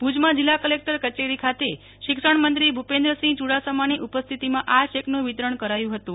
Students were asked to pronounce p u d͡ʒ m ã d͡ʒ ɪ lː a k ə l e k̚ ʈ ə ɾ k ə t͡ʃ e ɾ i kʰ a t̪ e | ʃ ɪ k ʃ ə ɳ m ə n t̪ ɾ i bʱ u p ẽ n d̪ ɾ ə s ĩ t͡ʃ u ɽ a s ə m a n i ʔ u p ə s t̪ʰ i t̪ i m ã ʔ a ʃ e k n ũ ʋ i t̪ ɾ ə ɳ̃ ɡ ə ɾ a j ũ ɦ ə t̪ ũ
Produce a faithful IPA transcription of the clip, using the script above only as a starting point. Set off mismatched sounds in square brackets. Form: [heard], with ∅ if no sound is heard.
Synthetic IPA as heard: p u d͡ʒ m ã d͡ʒ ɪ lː a k ə l e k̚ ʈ ə ɾ k ə t͡ʃ e ɾ i kʰ a t̪ e | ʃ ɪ k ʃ ə ɳ m ə n t̪ ɾ i bʱ u p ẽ n d̪ ɾ ə s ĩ t͡ʃ u ɽ a s ə m a n i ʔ u p ə s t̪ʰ i t̪ i m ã ʔ a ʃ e k n ũ ʋ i t̪ ɾ ə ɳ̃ [k] ə ɾ a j ũ ɦ ə t̪ ũ